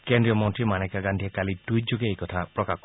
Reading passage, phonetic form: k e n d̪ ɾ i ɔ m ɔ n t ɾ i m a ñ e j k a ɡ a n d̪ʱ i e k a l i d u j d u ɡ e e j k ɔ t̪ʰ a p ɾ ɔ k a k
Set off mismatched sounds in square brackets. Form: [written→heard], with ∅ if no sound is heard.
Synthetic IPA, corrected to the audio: k e n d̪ ɾ i ɔ m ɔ n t ɾ i m a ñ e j k a ɡ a n d̪ʱ i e k a l i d u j [d→d͡ʒ] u ɡ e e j k ɔ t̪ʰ a p ɾ ɔ k a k